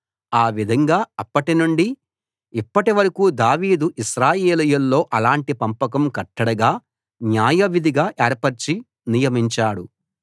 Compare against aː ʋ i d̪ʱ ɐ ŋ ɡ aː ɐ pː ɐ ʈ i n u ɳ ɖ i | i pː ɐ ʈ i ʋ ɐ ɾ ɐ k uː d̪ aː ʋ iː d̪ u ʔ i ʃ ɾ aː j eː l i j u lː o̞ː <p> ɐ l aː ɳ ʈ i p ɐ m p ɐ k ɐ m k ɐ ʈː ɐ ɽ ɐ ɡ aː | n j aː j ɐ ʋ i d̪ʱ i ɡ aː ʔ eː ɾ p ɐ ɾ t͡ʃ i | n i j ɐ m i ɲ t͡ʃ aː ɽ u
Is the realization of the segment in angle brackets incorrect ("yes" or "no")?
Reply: yes